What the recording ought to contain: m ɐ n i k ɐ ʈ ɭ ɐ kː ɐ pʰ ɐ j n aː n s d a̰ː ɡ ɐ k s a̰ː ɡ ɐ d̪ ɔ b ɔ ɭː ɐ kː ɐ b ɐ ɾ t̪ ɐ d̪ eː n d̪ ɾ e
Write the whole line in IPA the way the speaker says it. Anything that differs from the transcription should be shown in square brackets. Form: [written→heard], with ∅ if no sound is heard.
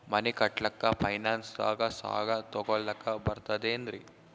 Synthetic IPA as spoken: m ɐ n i k ɐ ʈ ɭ ɐ kː ɐ pʰ ɐ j n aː n s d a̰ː ɡ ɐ [k→∅] s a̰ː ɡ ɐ [d̪→t̪] ɔ [b→ɡ] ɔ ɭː ɐ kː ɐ b ɐ ɾ t̪ ɐ d̪ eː n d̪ ɾ [e→i]

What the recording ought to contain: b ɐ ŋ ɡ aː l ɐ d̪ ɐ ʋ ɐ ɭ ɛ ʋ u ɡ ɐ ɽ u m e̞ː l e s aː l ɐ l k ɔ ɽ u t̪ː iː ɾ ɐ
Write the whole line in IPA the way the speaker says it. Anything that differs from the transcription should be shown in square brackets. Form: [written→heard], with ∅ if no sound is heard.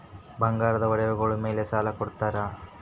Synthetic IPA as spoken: b ɐ ŋ ɡ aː [l→ɾ] ɐ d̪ ɐ ʋ ɐ [ɭ→ɽ] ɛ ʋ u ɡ ɐ [ɽ→ɭ] u m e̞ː l e s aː l ɐ [l→∅] k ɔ ɽ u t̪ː [iː→aː] ɾ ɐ

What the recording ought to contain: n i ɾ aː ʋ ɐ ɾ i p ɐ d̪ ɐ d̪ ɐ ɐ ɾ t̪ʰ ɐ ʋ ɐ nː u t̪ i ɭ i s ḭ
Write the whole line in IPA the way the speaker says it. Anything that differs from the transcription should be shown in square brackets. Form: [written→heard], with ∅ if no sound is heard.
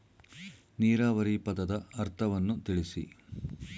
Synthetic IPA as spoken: n [i→iː] ɾ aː ʋ ɐ ɾ i p ɐ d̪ ɐ d̪ ɐ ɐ ɾ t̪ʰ ɐ ʋ ɐ nː u t̪ i ɭ i s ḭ

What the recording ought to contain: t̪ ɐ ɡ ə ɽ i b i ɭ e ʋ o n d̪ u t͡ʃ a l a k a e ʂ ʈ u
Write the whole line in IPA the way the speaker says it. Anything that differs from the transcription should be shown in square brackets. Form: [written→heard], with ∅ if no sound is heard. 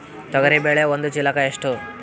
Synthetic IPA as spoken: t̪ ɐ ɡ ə [ɽ→ɾ] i b [i→e] ɭ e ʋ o n d̪ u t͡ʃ [a→i] l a k a e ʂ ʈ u

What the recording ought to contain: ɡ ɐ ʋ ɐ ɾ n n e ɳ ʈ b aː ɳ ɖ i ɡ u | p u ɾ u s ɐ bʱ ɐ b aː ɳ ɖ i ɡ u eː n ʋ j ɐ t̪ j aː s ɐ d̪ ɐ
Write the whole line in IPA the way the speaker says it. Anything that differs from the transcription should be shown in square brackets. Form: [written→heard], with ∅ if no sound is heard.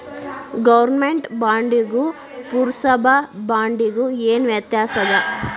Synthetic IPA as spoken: ɡ ɐ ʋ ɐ ɾ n [n→m] e ɳ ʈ b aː ɳ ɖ i ɡ u | p u ɾ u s ɐ bʱ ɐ b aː ɳ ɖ i ɡ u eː n ʋ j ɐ t̪ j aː s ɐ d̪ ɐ

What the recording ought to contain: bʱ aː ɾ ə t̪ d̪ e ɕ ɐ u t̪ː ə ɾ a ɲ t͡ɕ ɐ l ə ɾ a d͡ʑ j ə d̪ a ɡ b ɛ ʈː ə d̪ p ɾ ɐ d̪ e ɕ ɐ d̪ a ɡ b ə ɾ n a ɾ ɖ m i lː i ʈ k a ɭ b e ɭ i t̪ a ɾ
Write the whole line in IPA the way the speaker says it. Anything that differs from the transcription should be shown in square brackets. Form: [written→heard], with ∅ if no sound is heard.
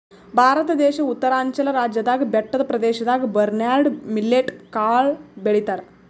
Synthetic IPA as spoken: bʱ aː ɾ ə t̪ d̪ e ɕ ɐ u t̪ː ə ɾ a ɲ t͡ɕ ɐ l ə ɾ a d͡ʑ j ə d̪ a ɡ b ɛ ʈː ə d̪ p ɾ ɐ d̪ e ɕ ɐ d̪ a ɡ b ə ɾ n a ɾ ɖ m i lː [i→e] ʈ k a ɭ b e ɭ i t̪ a ɾ

